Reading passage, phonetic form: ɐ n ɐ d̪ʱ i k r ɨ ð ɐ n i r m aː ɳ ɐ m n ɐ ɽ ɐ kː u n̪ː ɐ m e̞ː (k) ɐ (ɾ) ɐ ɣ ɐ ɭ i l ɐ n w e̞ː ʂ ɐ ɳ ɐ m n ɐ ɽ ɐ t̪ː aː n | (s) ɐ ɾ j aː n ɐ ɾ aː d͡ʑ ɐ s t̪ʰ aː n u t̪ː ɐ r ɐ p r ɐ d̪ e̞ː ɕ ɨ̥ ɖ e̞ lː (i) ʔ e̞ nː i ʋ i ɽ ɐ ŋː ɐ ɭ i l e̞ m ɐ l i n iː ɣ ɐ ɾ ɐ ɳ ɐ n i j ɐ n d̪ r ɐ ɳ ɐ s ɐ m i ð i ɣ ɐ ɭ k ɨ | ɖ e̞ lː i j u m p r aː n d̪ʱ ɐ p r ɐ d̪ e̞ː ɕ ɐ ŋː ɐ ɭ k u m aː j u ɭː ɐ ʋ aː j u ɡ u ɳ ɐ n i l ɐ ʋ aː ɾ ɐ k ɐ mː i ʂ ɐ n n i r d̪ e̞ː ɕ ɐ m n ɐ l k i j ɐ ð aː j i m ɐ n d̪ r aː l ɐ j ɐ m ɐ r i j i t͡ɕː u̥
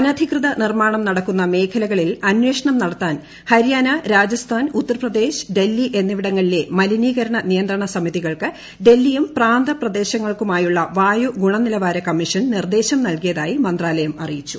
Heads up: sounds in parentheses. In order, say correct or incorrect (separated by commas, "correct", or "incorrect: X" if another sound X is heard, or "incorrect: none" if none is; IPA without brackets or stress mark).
incorrect: kʰ, incorrect: l, incorrect: h, correct